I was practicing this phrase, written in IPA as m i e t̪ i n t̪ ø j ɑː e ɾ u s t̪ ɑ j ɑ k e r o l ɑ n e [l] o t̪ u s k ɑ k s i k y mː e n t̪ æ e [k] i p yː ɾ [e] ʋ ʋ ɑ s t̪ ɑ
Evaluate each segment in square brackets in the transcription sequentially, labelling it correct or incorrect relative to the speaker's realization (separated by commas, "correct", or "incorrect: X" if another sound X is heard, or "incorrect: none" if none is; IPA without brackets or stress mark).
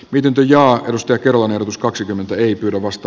incorrect: r, incorrect: none, incorrect: æ